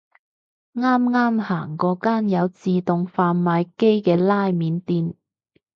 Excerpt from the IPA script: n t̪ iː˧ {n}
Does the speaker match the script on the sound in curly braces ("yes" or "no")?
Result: yes